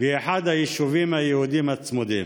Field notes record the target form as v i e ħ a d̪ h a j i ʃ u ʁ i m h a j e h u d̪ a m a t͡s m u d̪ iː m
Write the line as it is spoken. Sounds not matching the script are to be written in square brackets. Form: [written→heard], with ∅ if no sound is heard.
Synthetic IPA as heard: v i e ħ a d̪ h a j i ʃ u [ʁ→v] i m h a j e h u d̪ [a→i] m a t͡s m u d̪ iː m

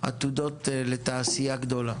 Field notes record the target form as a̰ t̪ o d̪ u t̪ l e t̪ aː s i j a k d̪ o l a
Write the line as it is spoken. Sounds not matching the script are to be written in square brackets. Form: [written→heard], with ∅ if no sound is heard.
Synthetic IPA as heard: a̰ t̪ [o→u] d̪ [u→o] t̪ l e t̪ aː s i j a [k→ɡ] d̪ o l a

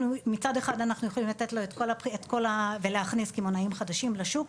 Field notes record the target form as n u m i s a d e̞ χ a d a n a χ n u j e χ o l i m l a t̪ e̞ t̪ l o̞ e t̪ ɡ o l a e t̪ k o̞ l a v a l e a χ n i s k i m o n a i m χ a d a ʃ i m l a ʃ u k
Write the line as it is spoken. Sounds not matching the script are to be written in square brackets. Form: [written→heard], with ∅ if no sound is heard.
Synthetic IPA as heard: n u m i [s→t͡s] a d e̞ χ a d a n a χ n u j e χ o l i m l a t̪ e̞ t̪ l o̞ e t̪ [ɡ→k] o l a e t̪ k o̞ l a v [a→e] l e a χ n i s k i m o n a i m χ a d a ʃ i m l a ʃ u k

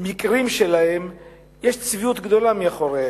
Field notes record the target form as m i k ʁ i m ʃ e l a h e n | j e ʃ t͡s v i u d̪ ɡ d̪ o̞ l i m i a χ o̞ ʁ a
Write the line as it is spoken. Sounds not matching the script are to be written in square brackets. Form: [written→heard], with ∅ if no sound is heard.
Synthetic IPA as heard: m i k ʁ i m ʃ e l a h e [n→m] | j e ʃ t͡s v i u [d̪→t̪] ɡ d̪ o̞ l [i→a] m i a χ o̞ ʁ [a→e]

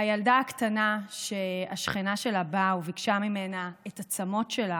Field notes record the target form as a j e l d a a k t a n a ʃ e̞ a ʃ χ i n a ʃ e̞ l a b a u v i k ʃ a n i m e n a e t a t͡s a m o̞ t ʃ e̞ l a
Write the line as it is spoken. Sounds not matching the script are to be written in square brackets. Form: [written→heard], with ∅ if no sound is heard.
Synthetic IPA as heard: a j [e→a] l d a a k t a n a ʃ e̞ a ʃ χ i n a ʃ e̞ l a b a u v i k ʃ a [n→m] i m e n a e t a t͡s a m o̞ t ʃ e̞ l a

